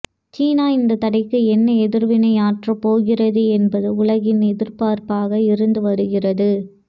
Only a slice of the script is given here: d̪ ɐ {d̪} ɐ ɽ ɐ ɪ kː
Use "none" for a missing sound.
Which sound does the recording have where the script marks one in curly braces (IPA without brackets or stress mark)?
t̪